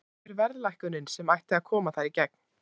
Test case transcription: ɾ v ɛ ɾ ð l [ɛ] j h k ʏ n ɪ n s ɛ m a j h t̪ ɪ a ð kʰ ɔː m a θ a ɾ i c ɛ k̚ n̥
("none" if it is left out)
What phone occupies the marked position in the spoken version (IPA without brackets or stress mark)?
a